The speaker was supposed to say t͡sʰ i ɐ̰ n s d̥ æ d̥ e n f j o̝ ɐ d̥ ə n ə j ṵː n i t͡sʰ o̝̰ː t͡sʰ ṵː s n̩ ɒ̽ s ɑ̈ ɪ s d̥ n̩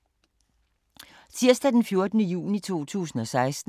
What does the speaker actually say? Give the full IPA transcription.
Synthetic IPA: t͡sʰ i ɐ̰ s d̥ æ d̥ e n f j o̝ ɐ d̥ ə n ə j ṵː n i t͡sʰ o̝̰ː t͡sʰ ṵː s n̩ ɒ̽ s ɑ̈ ɪ s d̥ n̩